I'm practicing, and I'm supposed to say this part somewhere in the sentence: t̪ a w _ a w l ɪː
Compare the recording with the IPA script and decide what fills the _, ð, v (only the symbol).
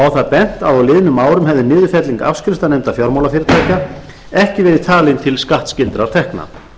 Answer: ð